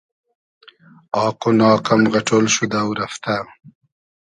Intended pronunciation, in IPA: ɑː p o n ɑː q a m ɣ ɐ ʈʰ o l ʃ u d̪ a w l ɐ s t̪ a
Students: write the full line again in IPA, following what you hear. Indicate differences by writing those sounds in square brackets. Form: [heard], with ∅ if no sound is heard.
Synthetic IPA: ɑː [q] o n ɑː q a m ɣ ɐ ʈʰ o l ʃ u d̪ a w [ɾ] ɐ [f] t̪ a